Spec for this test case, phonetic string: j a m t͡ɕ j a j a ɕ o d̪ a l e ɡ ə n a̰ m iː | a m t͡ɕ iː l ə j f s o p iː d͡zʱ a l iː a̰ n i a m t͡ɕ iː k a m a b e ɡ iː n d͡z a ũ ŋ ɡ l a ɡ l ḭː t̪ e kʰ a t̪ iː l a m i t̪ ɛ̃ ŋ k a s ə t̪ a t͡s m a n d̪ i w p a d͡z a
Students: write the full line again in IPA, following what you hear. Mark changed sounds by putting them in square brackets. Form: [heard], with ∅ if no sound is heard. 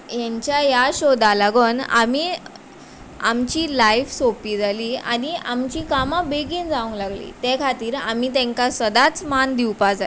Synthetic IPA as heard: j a [ɲ] t͡ɕ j a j a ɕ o d̪ a l [a] ɡ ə n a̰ m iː | a m t͡ɕ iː l [a] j f s o p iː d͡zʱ a l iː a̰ n i a m t͡ɕ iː k a m a b e ɡ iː n d͡z a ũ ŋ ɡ l a ɡ l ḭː t̪ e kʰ a t̪ iː [ɾ] a m i t̪ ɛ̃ ŋ k a s ə [d̪] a t͡s m a n d̪ i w p a d͡z a

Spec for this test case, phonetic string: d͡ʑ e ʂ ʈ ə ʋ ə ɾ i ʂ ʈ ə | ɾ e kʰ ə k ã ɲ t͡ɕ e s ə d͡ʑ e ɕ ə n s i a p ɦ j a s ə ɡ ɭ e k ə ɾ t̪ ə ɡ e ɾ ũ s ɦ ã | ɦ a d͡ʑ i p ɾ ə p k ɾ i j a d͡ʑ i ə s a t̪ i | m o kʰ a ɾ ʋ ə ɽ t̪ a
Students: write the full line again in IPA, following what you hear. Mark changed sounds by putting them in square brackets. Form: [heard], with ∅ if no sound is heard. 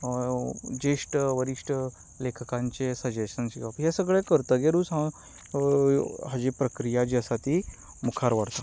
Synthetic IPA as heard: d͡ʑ e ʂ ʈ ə ʋ ə ɾ i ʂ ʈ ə | [l] e kʰ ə k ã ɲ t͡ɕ e s ə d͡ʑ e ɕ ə n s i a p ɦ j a s ə ɡ ɭ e k ə ɾ t̪ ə ɡ e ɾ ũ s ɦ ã | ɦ a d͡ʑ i p ɾ ə [∅] k ɾ i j a d͡ʑ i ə s a t̪ i | m [u] kʰ a ɾ ʋ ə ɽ t̪ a

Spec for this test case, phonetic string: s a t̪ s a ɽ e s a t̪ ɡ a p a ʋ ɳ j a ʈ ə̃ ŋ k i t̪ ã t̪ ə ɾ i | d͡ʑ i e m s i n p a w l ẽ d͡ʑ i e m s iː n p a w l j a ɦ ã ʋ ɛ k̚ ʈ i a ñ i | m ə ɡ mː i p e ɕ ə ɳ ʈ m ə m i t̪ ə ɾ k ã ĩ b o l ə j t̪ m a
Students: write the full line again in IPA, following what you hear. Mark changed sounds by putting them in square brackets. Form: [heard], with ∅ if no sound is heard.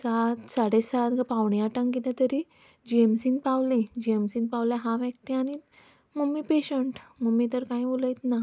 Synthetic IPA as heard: s a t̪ s a ɽ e s a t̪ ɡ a p a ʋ ɳ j a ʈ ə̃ ŋ k i t̪ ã t̪ ə ɾ i | d͡ʑ i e m s i n p a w l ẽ d͡ʑ i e m s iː n p a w l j a ɦ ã ʋ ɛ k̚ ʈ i a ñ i | m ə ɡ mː i p e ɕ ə ɳ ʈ m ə m i t̪ ə ɾ k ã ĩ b o l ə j t̪ [n] a

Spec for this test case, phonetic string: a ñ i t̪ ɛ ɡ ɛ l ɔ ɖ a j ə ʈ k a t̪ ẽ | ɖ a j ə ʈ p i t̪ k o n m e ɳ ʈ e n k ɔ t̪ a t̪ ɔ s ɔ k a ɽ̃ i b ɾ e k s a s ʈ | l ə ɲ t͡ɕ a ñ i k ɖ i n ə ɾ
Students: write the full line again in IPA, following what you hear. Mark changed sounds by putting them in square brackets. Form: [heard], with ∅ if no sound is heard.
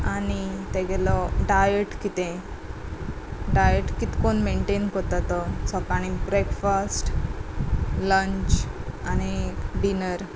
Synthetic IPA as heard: a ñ i t̪ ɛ ɡ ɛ l ɔ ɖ a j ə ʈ k [i] t̪ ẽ | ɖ a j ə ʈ [k] i t̪ k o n m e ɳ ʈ e n k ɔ t̪ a t̪ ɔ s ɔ k a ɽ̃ i b ɾ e k [f] a s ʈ | l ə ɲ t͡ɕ a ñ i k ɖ i n ə ɾ

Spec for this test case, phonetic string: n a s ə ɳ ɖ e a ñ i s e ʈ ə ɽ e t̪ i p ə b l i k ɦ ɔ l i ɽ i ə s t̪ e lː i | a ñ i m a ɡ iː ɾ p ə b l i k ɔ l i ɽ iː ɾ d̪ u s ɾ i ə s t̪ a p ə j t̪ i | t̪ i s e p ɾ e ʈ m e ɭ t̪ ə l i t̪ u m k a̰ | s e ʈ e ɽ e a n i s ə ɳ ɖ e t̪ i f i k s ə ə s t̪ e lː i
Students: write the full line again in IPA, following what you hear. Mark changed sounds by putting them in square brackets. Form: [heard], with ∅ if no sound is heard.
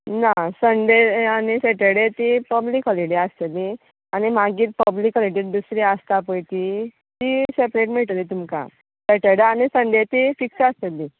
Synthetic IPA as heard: n a s ə ɳ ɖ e a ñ i s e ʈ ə ɽ e t̪ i p ə b l i k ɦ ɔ l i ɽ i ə s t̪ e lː i | a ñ i m a ɡ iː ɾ p ə b l i k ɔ l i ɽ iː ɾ d̪ u s ɾ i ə s t̪ a p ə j t̪ i | t̪ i s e p ɾ e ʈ m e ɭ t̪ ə l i t̪ u m k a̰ | s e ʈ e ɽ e a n i s ə ɳ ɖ e t̪ i f i k s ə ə s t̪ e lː i

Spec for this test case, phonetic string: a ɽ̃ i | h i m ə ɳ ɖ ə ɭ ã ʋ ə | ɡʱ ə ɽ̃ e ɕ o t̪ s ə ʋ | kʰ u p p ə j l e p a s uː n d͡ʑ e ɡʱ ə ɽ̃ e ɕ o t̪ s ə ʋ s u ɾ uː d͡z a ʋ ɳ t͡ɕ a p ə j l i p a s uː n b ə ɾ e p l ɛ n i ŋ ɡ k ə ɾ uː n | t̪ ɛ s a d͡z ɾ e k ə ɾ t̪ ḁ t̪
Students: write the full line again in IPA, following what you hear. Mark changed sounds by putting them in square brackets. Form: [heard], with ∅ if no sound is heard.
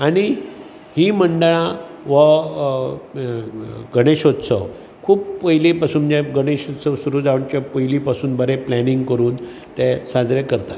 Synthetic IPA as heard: a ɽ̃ i | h i m ə ɳ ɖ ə ɭ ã ʋ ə | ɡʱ ə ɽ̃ e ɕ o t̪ s ə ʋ | kʰ [uː] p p ə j l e p a s uː n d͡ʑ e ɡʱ ə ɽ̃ e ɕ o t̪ s ə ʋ s u ɾ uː d͡z a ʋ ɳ t͡ɕ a p ə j l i p a s uː n b ə ɾ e p l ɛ n i ŋ ɡ k ə ɾ uː n | t̪ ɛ s a d͡z ɾ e k ə ɾ t̪ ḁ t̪

